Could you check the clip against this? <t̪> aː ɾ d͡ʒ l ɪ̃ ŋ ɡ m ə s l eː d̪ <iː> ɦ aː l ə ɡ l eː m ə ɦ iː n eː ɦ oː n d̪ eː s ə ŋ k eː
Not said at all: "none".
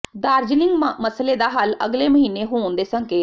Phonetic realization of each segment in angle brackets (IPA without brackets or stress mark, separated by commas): d̪, aː